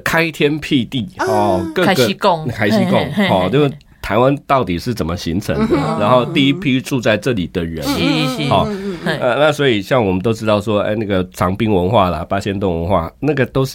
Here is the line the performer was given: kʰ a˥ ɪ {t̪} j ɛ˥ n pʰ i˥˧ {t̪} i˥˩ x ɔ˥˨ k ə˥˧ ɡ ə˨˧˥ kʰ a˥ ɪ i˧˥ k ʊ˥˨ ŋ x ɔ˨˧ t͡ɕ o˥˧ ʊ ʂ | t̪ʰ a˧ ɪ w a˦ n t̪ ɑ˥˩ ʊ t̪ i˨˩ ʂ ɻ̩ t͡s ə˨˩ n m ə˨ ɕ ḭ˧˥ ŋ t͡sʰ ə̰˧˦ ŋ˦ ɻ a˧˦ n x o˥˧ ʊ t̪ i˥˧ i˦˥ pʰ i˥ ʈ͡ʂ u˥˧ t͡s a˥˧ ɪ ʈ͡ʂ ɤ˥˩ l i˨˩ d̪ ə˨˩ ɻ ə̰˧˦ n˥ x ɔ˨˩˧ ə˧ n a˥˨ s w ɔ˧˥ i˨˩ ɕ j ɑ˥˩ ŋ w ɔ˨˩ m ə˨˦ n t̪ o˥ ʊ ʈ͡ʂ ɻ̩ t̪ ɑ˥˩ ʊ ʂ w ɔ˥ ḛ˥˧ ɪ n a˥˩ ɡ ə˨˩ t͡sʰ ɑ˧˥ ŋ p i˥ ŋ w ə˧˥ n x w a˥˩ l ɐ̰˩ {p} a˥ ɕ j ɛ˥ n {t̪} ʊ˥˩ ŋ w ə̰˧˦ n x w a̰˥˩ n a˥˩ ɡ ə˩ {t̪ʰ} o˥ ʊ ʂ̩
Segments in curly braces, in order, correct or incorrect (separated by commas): incorrect, correct, correct, correct, incorrect